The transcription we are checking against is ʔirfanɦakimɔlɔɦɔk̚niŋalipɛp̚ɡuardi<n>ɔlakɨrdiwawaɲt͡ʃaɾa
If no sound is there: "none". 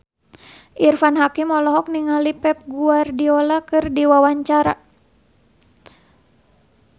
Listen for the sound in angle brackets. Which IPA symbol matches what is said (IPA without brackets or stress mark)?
none